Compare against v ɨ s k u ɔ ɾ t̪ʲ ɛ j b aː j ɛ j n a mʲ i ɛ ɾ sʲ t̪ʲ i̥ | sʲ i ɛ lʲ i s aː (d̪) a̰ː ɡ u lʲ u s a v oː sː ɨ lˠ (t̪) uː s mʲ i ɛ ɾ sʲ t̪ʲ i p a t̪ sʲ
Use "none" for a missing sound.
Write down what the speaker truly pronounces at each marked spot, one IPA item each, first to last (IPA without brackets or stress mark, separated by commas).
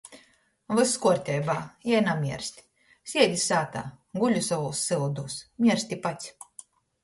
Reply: t̪, d̪